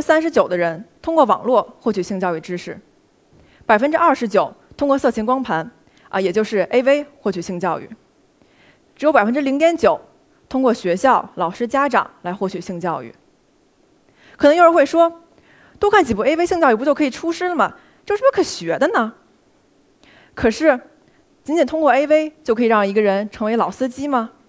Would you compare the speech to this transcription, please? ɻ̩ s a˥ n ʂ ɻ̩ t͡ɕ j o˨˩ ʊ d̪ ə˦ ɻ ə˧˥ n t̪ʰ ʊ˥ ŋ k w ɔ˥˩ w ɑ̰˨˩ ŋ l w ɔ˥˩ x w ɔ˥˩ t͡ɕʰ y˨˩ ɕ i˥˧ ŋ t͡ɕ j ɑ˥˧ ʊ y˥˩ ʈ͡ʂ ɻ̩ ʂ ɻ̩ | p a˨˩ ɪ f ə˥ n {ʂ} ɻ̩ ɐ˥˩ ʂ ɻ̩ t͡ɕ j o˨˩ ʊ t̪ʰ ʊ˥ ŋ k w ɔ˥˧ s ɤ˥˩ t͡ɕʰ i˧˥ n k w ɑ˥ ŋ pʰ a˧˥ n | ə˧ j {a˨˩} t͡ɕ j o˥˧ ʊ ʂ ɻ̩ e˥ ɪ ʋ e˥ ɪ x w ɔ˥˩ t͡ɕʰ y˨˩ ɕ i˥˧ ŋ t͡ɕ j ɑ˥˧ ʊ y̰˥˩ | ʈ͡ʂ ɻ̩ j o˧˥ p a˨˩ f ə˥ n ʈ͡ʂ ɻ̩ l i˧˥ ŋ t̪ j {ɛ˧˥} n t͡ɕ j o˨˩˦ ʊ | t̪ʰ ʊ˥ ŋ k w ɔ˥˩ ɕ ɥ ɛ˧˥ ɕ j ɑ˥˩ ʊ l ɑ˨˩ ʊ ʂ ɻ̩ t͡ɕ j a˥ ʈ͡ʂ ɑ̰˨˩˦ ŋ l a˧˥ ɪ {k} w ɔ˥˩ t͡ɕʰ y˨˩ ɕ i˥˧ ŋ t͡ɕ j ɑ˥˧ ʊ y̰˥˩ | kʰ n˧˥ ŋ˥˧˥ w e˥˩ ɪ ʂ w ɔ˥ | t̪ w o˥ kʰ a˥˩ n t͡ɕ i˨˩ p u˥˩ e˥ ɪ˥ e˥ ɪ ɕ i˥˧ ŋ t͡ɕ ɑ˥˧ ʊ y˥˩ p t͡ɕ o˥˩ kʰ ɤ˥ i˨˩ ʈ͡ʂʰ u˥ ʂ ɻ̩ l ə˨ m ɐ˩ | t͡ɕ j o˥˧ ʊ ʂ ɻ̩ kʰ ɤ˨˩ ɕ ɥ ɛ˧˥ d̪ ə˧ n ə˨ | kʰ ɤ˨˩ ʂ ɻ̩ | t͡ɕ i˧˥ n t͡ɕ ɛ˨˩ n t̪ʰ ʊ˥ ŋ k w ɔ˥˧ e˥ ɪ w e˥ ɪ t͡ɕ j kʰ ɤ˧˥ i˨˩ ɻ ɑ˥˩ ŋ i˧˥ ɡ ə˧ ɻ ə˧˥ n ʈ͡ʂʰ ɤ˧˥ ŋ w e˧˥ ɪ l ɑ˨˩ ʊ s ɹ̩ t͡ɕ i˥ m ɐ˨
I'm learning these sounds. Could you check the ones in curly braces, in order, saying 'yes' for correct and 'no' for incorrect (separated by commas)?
no, no, yes, no